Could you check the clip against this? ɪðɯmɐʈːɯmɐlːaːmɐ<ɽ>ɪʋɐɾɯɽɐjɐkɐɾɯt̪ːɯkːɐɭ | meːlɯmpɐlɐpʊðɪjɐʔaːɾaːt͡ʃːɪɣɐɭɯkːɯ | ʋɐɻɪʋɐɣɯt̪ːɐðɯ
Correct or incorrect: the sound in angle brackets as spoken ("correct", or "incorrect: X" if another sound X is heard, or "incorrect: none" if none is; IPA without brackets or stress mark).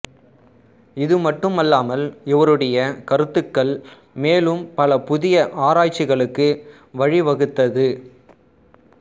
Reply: incorrect: l